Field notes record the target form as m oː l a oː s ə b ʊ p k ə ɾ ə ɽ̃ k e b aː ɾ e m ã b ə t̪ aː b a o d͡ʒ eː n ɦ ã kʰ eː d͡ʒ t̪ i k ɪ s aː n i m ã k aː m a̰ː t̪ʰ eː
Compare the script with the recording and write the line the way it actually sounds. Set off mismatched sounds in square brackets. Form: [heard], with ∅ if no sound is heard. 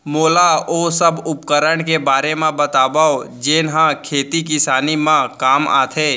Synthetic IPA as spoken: m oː l a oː s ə b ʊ p k ə ɾ ə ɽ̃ k e b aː ɾ e m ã b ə t̪ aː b a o d͡ʒ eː n ɦ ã kʰ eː [∅] t̪ i k ɪ s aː n i m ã k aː m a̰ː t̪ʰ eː